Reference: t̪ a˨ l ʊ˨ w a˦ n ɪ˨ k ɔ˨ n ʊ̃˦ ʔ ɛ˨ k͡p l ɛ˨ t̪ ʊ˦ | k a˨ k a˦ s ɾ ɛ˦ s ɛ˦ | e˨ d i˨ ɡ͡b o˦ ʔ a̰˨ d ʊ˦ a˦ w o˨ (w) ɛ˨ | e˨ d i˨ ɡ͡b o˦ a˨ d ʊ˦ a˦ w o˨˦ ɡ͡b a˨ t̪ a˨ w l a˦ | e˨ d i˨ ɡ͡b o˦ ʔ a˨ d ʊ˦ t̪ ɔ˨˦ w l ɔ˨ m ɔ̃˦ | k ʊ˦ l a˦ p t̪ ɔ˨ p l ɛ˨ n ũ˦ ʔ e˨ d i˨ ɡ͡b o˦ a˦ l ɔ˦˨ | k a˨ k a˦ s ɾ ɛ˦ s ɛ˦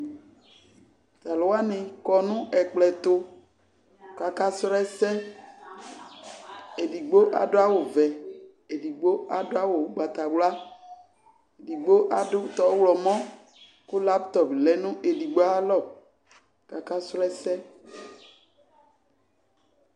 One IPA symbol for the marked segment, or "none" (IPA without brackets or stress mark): v